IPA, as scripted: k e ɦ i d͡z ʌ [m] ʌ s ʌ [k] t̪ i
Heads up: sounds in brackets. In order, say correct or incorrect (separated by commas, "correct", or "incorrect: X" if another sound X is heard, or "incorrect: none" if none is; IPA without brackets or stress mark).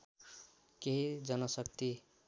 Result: incorrect: n, correct